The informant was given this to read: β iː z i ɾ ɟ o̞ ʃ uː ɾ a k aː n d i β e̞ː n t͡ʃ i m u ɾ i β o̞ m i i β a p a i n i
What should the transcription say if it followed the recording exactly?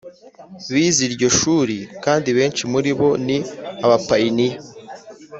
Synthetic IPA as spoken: β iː z i ɾ ɟ o̞ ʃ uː ɾ i k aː n d i β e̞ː n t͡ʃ i m u ɾ i β o̞ n i a β a p a i n i